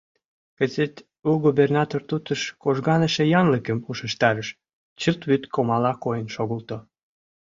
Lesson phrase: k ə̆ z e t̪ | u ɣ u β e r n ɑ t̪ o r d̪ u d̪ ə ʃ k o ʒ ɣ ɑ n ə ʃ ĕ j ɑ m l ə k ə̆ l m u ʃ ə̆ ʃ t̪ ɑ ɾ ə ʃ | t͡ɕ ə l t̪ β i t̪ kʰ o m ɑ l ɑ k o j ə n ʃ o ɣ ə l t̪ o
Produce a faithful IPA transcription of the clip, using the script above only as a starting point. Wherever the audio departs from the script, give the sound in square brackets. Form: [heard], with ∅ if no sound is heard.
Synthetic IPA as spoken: k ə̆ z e t̪ | u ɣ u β e r n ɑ t̪ o r [t̪] u [t̪] ə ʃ k o ʒ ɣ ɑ n ə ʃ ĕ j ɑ [n] l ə k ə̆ [∅] m u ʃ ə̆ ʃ t̪ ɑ ɾ ə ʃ | t͡ɕ ə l t̪ β [y] t̪ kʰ o m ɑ l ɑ k o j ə n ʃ o ɣ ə l t̪ o